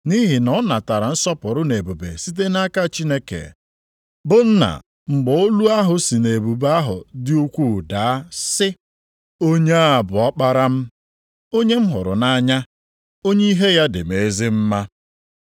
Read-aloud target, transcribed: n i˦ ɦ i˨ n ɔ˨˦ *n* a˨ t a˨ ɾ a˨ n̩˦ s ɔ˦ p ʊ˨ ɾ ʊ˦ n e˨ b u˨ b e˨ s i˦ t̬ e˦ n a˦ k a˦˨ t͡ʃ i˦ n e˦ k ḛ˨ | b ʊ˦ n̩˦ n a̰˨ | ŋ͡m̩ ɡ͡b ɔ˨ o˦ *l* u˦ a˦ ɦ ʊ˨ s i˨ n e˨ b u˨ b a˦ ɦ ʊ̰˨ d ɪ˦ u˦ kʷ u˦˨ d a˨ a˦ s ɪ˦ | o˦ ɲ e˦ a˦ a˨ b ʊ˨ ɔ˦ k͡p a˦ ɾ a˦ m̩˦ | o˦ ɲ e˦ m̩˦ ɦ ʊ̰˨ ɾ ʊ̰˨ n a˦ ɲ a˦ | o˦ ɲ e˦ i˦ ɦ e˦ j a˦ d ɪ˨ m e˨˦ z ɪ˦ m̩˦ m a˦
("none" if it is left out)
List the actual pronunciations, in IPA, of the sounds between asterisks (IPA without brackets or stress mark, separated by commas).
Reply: n, l